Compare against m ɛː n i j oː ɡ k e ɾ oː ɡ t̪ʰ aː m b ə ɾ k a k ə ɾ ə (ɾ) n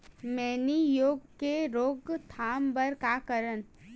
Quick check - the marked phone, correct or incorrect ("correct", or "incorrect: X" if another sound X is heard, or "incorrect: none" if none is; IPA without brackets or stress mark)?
incorrect: none